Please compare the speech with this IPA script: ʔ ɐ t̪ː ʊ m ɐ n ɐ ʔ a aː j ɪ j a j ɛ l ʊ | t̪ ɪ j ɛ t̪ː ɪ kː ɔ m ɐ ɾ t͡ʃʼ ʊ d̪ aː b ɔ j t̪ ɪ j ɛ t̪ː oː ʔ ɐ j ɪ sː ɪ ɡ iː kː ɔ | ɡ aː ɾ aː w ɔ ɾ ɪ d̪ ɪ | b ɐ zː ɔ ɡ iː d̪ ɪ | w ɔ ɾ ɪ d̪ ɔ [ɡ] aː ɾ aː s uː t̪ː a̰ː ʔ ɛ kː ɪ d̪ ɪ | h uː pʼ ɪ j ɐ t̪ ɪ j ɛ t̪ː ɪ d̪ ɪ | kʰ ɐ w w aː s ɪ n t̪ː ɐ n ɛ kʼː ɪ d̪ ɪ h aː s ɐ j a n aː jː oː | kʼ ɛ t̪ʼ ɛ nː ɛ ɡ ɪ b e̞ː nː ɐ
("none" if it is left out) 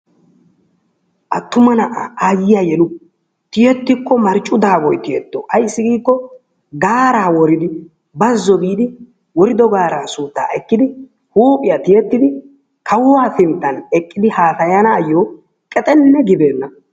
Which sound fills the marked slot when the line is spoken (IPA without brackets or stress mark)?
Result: ɡ